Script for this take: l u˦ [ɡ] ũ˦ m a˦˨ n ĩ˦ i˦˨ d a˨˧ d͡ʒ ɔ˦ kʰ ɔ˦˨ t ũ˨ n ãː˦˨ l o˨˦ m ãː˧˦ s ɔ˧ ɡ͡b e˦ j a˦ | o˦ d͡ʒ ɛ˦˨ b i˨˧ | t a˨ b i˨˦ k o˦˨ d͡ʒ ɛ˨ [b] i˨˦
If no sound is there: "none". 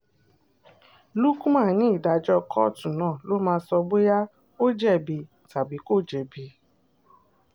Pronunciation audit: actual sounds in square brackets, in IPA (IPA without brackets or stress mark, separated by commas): k, b